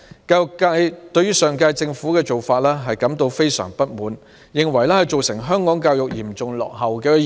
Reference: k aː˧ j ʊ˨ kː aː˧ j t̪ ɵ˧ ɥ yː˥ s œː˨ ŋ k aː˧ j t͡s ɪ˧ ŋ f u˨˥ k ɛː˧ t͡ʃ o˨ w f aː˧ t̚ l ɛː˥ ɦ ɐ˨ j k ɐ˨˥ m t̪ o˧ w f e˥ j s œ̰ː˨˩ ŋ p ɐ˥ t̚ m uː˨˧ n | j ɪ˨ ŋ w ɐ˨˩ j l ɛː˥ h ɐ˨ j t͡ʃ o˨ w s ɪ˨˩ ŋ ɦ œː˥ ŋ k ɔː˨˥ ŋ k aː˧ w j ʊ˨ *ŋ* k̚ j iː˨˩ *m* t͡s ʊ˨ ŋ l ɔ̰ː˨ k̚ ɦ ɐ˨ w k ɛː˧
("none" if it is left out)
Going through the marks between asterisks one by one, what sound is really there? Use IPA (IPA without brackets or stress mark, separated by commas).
none, m